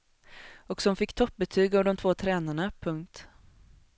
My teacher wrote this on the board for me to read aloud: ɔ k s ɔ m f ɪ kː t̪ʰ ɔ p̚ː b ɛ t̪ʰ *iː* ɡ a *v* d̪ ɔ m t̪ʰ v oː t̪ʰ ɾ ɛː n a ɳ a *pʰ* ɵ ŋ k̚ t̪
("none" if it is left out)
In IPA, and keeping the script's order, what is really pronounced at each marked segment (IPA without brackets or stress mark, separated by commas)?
yː, v, pʰ